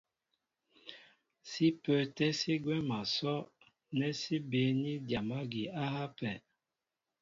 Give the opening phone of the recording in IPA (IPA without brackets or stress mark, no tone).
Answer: s